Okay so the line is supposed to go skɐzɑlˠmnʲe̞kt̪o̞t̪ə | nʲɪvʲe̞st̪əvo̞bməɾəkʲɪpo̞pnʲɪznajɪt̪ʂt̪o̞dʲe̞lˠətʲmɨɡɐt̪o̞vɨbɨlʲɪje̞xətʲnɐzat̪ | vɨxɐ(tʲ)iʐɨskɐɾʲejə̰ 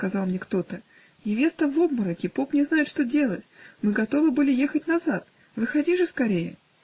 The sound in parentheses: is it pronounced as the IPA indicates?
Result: no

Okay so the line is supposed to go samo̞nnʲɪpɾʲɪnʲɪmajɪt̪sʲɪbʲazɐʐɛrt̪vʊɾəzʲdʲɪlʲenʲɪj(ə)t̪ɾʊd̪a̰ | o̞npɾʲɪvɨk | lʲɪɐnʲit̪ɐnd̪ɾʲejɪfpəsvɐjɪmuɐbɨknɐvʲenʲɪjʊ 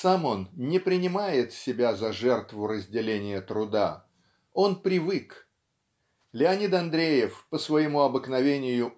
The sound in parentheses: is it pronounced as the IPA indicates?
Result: yes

